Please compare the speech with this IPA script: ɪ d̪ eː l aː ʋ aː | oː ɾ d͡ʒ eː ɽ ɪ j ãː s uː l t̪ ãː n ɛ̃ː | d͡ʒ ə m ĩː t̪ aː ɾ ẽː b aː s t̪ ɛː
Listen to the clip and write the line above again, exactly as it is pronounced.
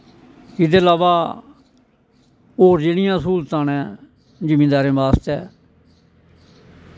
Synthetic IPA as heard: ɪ d̪ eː l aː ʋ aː | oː ɾ d͡ʒ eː ɽ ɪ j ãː s uː l t̪ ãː n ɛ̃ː | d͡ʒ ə m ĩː d̪ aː ɾ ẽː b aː s t̪ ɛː

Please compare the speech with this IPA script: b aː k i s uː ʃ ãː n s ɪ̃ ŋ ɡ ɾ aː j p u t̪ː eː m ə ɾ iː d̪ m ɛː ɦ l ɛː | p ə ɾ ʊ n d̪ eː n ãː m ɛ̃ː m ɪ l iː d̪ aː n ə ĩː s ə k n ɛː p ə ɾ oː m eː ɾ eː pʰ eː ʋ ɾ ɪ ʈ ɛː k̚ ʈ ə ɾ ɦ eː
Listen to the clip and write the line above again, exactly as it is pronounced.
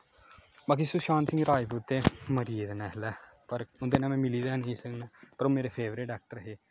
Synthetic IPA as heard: b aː k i s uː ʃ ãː n s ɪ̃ ŋ ɡ ɾ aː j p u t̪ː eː m ə ɾ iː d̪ n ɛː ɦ l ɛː | p ə ɾ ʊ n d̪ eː n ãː m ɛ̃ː m ɪ l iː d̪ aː n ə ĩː s ə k n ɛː p ə ɾ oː m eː ɾ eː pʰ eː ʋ ɾ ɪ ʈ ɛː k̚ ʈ ə ɾ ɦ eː

